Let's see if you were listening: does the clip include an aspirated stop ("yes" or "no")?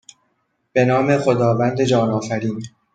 no